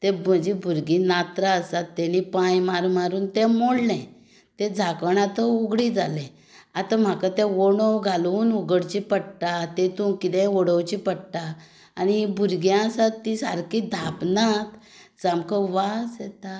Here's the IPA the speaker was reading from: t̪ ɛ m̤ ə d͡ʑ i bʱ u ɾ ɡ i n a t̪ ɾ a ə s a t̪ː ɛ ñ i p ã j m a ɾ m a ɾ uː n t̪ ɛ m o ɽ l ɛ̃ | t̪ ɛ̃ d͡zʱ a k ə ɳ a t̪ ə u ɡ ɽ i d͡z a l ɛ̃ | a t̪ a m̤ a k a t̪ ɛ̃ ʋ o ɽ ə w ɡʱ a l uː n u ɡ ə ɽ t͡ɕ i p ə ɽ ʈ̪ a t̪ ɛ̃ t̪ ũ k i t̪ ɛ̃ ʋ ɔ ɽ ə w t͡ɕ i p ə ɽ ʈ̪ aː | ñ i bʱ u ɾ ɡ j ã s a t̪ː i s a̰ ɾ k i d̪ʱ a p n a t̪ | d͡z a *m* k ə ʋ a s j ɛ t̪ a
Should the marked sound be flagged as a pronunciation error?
no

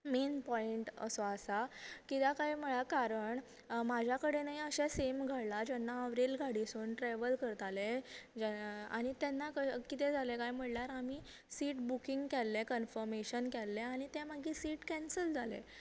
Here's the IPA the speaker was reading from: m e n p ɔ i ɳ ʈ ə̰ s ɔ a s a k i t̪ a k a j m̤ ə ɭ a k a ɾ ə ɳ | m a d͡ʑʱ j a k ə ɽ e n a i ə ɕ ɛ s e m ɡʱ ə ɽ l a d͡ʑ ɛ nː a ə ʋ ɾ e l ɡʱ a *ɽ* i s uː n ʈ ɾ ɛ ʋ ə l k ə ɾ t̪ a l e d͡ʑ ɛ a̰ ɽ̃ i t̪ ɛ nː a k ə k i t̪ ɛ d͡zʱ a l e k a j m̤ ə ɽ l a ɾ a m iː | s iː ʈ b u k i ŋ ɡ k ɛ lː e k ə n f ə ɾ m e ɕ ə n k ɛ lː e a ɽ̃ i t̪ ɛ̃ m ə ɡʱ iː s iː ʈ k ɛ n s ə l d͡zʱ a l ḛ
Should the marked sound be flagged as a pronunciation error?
no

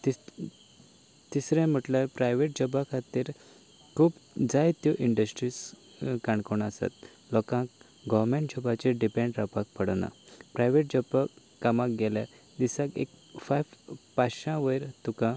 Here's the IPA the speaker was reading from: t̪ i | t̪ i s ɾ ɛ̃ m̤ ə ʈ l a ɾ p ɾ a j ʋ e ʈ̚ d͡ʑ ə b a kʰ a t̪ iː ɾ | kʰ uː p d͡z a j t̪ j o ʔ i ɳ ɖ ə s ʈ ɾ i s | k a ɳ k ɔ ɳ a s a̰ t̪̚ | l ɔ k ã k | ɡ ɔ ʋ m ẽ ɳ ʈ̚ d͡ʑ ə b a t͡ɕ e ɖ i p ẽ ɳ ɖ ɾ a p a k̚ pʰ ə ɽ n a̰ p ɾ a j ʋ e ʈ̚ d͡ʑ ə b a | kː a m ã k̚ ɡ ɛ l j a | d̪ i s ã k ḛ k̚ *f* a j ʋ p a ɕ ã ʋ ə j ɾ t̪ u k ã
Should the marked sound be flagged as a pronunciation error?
no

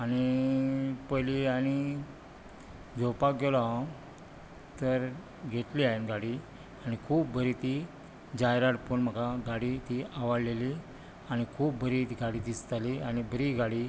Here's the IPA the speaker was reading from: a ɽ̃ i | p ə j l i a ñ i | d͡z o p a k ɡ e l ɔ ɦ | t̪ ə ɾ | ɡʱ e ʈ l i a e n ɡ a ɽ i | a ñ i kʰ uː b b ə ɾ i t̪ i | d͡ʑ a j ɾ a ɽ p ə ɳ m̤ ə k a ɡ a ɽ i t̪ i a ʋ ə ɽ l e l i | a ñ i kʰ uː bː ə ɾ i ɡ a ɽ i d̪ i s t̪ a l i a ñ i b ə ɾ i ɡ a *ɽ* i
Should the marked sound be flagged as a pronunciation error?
no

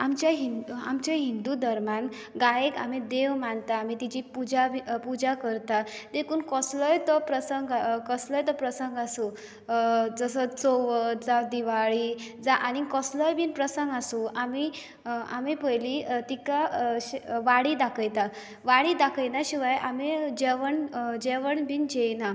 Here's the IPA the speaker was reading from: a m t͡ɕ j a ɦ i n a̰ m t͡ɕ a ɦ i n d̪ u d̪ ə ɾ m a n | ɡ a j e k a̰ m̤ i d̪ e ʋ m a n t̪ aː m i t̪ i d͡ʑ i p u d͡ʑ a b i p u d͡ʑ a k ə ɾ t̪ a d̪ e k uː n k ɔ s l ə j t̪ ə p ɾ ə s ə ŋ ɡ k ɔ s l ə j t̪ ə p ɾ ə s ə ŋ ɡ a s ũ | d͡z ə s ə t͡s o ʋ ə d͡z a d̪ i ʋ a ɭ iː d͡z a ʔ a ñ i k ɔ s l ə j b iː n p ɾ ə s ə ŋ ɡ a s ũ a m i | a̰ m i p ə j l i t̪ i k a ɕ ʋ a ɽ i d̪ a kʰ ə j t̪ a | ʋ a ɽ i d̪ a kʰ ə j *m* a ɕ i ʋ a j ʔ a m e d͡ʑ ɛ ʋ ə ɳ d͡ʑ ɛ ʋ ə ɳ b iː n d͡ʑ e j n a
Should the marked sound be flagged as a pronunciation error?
yes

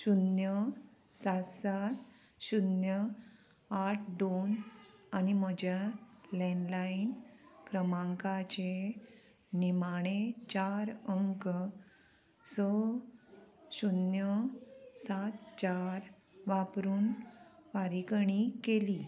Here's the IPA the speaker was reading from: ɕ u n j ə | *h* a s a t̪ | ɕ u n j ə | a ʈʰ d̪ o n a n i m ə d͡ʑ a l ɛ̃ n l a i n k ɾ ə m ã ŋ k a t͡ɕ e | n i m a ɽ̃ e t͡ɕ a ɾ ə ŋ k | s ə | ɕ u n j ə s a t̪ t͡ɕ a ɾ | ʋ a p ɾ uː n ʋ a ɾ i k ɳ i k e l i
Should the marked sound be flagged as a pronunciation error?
yes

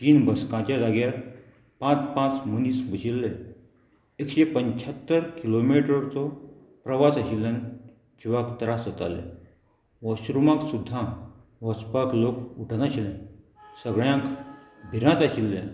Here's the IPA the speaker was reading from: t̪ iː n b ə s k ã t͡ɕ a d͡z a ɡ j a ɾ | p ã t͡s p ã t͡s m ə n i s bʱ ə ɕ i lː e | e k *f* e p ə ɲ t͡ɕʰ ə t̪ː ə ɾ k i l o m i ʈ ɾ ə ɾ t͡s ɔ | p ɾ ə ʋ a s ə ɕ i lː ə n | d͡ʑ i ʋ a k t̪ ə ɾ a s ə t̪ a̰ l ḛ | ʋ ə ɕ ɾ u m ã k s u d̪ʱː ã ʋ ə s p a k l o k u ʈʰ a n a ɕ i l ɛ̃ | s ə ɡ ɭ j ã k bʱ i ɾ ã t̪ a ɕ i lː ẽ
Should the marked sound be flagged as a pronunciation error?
yes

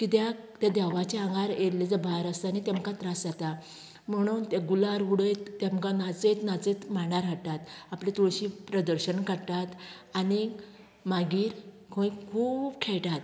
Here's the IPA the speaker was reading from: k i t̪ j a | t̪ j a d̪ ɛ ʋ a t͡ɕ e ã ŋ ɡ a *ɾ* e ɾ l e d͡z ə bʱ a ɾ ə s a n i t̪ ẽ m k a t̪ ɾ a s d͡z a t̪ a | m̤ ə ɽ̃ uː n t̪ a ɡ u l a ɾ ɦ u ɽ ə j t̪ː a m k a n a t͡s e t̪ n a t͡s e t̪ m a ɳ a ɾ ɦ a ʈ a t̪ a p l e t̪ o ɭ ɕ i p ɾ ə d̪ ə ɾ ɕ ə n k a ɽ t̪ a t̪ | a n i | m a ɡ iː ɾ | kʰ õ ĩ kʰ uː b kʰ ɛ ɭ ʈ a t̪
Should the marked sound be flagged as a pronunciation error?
no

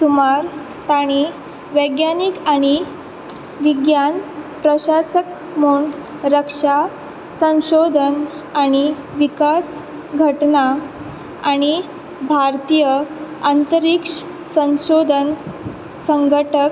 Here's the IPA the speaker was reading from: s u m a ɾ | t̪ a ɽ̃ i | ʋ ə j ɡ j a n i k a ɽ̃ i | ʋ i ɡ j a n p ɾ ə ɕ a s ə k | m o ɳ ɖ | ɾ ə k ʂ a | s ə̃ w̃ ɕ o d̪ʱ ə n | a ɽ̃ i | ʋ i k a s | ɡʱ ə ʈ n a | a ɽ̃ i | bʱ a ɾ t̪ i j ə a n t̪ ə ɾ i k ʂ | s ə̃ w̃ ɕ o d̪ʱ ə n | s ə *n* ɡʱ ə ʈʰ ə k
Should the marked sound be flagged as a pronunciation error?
yes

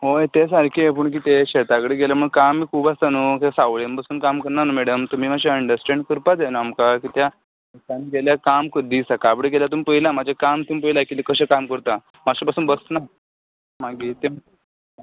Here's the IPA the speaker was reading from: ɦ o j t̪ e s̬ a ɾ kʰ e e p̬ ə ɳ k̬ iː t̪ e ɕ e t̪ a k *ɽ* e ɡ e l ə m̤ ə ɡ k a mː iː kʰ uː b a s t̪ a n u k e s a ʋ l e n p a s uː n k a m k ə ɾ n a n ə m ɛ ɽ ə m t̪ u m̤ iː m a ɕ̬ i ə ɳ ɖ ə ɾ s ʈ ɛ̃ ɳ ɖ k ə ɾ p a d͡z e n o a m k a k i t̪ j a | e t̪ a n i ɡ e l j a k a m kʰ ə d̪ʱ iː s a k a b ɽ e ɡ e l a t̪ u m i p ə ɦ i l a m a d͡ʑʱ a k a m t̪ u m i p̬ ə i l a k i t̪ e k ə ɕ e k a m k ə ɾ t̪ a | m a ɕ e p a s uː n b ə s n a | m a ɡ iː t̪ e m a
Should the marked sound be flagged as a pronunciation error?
no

